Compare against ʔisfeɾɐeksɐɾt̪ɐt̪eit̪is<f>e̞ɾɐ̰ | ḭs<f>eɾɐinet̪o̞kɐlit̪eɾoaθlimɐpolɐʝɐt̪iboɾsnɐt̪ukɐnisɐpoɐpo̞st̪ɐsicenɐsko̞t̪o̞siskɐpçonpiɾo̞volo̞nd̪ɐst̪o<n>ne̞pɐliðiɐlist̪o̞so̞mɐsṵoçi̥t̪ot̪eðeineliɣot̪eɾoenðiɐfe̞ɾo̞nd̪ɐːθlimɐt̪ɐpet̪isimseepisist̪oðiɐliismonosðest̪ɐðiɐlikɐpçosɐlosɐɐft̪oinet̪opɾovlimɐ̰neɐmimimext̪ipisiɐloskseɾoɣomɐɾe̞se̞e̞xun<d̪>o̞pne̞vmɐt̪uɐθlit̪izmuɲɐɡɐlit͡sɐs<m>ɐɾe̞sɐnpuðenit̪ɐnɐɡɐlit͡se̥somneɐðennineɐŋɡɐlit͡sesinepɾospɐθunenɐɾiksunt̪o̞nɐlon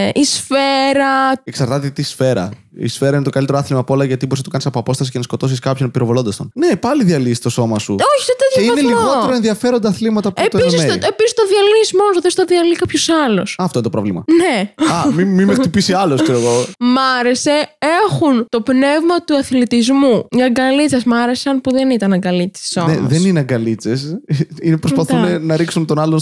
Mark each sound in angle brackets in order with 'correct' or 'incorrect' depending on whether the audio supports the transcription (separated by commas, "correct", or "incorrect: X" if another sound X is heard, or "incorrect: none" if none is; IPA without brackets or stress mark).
correct, correct, correct, incorrect: t̪, correct